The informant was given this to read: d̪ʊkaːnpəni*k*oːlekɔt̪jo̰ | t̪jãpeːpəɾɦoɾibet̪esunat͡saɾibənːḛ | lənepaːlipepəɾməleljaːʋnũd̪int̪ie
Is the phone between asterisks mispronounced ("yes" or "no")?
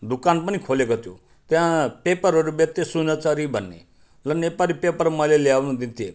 yes